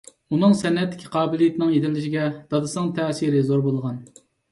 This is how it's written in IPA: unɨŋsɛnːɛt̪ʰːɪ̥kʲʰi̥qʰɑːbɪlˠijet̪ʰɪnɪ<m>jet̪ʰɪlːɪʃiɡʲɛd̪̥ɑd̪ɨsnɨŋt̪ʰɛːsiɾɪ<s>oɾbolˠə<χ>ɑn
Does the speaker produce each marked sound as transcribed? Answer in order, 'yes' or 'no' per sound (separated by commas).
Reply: no, no, no